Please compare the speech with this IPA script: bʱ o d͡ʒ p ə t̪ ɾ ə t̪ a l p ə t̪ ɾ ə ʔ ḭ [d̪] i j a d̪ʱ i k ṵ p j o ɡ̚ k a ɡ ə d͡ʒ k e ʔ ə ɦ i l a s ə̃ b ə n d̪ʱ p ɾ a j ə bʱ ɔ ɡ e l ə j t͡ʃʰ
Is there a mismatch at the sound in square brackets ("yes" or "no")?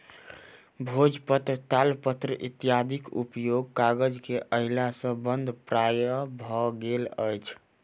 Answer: yes